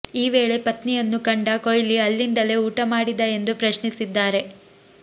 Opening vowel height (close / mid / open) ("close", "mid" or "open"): close